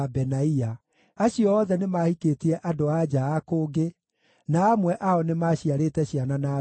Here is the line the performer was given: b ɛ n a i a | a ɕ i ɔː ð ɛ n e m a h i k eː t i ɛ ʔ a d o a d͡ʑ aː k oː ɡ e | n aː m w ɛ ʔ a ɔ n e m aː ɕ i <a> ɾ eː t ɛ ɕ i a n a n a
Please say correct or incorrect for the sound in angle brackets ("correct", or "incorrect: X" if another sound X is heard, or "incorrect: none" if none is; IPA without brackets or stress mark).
correct